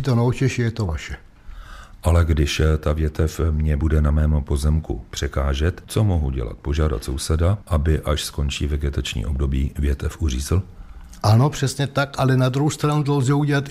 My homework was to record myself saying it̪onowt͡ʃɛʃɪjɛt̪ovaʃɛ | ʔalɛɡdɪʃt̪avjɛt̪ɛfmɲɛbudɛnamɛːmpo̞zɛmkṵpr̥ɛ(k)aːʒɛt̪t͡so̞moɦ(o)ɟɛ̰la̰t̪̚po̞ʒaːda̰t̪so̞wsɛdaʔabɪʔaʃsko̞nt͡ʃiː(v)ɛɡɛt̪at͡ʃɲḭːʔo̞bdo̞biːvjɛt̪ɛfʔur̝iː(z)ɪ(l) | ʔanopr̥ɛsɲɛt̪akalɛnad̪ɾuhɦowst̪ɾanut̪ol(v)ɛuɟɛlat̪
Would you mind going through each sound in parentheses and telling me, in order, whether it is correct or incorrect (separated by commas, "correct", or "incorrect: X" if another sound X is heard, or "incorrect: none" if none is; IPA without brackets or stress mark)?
correct, incorrect: u, correct, correct, correct, incorrect: z